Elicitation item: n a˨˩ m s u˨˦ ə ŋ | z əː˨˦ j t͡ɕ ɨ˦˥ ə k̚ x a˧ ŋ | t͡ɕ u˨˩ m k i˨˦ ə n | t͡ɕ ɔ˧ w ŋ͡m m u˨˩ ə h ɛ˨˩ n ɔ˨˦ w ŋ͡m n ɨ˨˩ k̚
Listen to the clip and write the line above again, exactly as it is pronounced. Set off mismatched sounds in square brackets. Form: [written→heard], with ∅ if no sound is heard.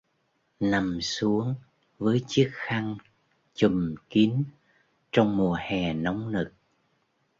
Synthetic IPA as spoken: n a˨˩ m s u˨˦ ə ŋ | [z→v] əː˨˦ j t͡ɕ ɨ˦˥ ə k̚ x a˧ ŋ | t͡ɕ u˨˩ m k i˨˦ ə n | t͡ɕ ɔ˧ w ŋ͡m m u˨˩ ə h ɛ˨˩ n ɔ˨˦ w ŋ͡m n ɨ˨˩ k̚